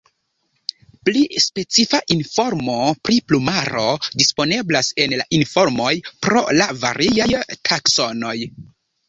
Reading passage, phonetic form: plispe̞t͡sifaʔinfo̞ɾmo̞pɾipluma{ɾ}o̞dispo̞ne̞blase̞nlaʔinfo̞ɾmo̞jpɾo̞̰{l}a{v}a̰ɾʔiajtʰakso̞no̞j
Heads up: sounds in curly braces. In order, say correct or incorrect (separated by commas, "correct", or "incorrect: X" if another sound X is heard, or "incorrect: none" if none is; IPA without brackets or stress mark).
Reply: correct, correct, correct